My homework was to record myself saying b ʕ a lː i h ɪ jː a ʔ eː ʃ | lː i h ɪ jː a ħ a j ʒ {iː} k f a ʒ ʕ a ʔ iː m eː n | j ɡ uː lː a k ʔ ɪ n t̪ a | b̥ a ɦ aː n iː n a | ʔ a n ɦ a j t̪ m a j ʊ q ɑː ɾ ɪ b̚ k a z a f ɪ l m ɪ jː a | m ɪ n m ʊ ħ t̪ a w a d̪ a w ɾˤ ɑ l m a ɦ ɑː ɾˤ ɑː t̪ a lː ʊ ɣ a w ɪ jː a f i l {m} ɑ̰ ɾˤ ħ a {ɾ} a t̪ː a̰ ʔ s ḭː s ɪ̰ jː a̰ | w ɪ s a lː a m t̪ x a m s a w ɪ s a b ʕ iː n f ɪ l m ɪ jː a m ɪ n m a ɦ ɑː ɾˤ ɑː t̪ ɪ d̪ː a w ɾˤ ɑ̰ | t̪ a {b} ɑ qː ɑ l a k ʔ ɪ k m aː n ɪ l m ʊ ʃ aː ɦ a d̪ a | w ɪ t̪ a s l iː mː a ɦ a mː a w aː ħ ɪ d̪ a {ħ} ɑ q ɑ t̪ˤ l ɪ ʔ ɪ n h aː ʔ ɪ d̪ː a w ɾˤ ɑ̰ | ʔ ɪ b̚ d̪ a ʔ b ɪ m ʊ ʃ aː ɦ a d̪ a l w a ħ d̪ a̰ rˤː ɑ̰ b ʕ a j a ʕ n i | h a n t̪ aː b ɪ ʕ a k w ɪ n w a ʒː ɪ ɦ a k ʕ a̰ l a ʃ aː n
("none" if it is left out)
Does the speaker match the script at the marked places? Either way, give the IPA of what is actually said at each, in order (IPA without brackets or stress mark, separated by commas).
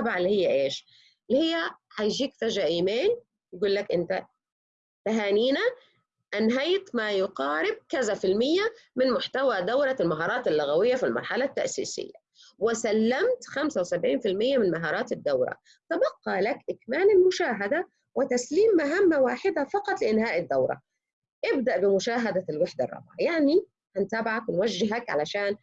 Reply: iː, m, l, b, f